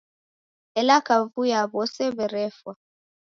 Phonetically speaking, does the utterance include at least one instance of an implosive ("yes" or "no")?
no